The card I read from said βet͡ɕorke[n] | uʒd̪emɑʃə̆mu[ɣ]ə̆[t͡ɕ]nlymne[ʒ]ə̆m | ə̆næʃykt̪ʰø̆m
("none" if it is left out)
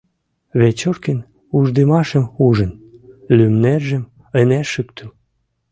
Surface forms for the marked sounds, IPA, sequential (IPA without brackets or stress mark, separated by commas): n, ʒ, none, ʒ